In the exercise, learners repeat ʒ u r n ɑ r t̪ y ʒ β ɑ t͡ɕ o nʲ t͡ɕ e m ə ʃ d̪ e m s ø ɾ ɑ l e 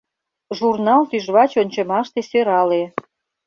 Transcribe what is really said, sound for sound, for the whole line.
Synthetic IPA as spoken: ʒ u r n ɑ l t̪ y ʒ β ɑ t͡ɕ o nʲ t͡ɕ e m ɑ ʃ t̪ e s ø ɾ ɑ l e